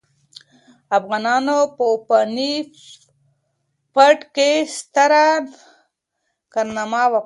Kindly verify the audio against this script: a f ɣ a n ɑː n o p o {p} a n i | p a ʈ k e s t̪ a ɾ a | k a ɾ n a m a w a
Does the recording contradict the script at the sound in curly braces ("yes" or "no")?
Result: no